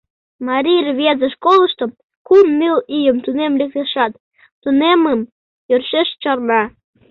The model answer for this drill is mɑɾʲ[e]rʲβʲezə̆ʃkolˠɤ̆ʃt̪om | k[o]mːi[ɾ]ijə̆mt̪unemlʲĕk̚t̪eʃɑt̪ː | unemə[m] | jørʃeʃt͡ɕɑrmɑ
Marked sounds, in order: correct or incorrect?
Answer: incorrect: i, incorrect: u, incorrect: l, correct

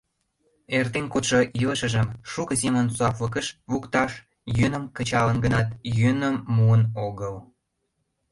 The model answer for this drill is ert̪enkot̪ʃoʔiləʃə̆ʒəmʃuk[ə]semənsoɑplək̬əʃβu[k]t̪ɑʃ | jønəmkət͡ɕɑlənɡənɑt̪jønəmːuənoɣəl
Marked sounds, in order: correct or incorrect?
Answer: correct, correct

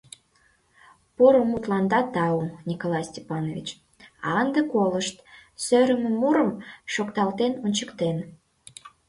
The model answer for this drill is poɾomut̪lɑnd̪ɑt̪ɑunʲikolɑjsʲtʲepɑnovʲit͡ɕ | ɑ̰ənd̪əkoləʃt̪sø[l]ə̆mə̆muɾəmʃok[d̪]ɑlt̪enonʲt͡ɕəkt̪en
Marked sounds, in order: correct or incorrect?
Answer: incorrect: ɾ, incorrect: t̪

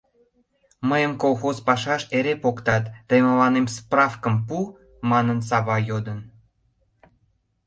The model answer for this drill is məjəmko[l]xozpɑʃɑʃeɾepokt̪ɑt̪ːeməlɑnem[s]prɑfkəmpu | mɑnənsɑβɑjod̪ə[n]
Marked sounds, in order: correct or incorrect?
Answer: correct, correct, correct

